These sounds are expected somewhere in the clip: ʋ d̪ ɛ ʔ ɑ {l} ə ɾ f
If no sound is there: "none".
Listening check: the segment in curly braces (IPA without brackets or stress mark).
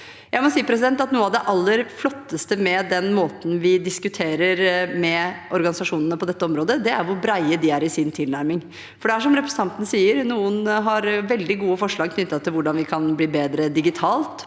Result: lː